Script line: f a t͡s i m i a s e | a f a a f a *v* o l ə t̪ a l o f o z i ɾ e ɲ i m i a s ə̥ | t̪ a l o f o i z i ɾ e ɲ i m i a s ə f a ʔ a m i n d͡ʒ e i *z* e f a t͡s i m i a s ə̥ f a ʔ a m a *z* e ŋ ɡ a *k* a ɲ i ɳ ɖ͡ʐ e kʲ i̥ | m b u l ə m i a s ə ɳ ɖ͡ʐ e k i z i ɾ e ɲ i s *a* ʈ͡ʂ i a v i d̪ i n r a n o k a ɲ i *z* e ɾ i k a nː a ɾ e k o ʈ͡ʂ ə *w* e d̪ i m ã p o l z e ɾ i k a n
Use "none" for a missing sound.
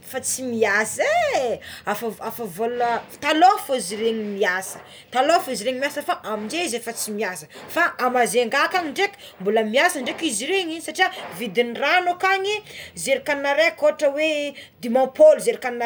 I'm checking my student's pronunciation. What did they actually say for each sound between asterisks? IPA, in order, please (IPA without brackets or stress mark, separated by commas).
v, z, z, k, a, z, w